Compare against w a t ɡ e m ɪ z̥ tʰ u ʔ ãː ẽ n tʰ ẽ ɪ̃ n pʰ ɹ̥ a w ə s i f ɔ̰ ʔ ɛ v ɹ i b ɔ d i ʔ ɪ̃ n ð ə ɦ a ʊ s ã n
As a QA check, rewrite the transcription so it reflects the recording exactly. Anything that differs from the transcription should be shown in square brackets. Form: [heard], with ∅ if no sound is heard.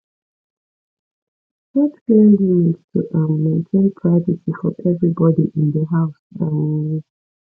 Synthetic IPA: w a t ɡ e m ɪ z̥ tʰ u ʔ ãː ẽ n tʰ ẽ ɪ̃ n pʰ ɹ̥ a [v] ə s i f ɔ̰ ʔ ɛ v ɹ i b ɔ d i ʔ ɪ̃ n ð ə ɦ a ʊ s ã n